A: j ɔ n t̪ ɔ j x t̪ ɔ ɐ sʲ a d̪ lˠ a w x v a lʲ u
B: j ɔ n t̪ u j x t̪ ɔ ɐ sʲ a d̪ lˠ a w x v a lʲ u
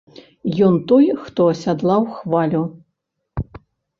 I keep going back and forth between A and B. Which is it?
A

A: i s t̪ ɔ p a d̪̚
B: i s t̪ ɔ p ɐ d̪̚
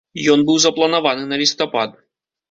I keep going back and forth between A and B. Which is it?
A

